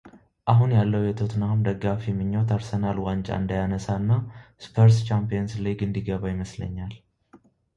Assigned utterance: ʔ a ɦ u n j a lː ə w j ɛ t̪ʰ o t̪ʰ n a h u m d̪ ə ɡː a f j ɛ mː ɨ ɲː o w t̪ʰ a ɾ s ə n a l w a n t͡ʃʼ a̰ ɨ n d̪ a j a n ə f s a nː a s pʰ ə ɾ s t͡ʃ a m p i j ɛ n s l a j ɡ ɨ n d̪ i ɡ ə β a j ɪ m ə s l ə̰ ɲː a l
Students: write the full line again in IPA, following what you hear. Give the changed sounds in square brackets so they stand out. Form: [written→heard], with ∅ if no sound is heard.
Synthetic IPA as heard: ʔ a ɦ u n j a lː ə w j ɛ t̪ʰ o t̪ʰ n a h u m d̪ ə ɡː a f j ɛ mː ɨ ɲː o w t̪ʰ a ɾ s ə n a l w a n t͡ʃʼ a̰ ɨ n d̪ a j a n ə [f→∅] s a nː a s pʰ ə ɾ s t͡ʃ a m p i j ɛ n s l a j ɡ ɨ n d̪ i ɡ ə β a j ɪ m ə s l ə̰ ɲː a l